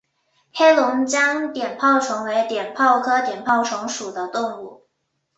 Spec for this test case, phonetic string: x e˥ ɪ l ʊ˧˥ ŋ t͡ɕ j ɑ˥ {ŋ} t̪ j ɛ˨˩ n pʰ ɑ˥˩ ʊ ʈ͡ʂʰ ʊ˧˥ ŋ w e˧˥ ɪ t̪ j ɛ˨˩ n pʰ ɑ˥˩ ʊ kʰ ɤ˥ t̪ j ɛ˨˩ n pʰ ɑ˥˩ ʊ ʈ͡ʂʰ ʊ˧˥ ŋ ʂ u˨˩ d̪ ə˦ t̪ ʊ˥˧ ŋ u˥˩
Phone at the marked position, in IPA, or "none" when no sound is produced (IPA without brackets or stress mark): ŋ